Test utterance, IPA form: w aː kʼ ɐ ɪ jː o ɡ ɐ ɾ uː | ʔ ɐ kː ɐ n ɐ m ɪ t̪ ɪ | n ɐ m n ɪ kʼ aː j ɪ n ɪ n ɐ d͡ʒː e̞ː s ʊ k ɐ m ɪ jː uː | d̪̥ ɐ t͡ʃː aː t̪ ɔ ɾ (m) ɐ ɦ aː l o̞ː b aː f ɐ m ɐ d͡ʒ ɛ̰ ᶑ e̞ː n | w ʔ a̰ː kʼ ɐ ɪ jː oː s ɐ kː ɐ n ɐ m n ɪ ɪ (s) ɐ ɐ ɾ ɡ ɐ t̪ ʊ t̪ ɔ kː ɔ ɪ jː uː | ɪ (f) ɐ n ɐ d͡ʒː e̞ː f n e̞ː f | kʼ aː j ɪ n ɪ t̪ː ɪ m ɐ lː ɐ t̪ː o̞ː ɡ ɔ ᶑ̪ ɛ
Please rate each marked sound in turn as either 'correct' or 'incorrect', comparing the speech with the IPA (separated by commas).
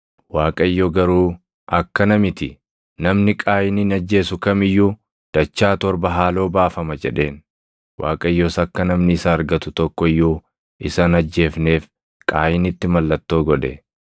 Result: incorrect, correct, incorrect